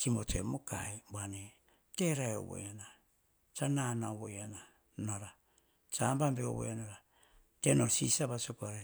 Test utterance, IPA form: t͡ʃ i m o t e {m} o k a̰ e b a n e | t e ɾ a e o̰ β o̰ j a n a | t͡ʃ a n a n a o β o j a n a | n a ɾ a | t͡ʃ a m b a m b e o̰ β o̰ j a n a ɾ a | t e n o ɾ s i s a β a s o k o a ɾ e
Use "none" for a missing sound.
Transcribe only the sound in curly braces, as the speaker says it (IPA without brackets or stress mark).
m